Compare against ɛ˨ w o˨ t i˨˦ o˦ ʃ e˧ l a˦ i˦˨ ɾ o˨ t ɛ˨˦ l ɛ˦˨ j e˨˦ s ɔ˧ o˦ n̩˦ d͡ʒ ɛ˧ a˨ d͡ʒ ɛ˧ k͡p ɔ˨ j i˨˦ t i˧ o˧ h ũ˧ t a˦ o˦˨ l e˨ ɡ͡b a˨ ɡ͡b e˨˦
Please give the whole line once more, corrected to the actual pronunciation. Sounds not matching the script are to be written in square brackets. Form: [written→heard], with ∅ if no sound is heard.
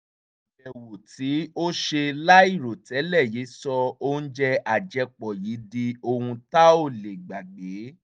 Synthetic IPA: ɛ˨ w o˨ t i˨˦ o˦ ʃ e˧ l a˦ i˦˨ ɾ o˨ t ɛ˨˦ l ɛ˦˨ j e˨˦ s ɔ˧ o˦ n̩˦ d͡ʒ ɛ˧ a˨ d͡ʒ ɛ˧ k͡p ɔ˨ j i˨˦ [t→d] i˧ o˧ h ũ˧ t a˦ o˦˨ l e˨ ɡ͡b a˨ ɡ͡b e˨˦